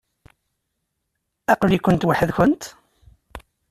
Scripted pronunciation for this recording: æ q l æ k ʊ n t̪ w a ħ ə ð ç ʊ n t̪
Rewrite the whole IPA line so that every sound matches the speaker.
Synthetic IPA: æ q l i k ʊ n t̪ w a ħ ə ð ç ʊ n t̪